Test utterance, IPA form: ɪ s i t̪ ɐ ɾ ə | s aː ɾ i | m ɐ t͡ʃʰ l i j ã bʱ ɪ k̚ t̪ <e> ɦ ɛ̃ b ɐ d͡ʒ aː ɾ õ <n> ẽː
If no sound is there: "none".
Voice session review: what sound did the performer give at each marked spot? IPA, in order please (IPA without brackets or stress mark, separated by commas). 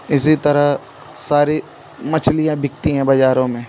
i, m